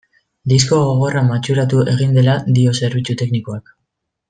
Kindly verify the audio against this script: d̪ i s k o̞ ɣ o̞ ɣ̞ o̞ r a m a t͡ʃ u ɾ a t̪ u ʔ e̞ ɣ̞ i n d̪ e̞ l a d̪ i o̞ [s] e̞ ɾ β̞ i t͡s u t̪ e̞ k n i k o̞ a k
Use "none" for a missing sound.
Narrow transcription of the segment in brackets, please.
s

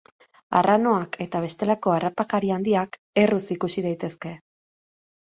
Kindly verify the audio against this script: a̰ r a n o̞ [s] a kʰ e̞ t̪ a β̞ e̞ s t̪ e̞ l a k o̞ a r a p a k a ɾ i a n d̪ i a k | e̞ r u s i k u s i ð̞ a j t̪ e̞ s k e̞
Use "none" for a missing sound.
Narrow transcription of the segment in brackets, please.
none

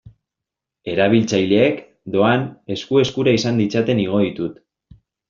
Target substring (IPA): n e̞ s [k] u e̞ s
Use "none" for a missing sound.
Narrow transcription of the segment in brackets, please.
k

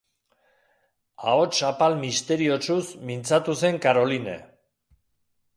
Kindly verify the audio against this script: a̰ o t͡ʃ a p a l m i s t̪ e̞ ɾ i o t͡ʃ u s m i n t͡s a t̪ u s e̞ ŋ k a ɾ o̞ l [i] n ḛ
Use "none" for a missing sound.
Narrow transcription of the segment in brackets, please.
i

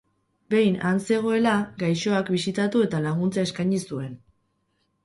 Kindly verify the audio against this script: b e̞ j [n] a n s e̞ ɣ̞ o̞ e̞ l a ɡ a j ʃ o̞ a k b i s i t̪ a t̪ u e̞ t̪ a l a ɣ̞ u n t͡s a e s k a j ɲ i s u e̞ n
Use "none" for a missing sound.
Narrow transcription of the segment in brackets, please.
n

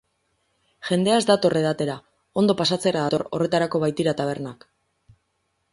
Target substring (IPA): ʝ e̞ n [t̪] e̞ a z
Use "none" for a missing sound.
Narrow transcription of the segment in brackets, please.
d̪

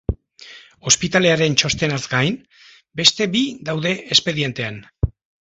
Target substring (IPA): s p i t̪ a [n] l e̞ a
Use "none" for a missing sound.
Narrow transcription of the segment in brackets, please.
none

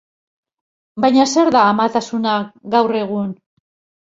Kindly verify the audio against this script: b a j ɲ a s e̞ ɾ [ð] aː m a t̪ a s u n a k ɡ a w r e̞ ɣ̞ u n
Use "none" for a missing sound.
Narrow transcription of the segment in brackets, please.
ð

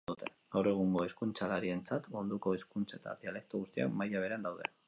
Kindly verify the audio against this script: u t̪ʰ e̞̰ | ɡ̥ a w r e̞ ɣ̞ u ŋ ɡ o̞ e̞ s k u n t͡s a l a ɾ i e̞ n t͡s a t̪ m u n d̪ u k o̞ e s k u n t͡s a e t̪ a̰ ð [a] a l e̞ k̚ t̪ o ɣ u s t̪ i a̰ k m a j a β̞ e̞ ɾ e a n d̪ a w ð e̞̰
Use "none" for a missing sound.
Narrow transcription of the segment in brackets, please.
i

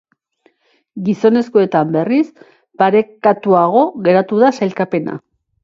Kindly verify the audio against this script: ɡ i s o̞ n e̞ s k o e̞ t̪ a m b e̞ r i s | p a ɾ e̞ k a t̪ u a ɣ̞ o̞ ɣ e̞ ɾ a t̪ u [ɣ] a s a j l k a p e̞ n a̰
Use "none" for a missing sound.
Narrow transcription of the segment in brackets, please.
ð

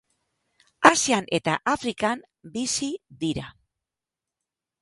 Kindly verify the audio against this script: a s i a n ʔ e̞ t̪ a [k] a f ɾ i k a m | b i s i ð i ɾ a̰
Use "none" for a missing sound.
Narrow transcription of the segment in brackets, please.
ʔ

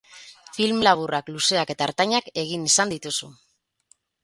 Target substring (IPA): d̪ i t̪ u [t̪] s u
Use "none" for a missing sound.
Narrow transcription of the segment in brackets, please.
none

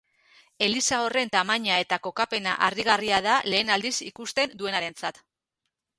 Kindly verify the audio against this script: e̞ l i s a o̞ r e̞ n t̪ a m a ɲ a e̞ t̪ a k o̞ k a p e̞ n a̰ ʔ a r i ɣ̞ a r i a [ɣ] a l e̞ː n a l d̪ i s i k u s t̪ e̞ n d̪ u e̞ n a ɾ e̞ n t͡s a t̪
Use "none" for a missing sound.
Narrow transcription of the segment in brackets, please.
ð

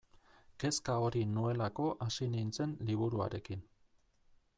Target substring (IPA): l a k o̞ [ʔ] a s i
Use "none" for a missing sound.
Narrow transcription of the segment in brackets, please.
ʔ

